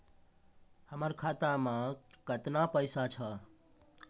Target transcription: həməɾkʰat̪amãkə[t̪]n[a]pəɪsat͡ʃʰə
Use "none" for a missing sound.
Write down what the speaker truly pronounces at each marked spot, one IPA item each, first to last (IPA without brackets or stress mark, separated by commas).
t̪, a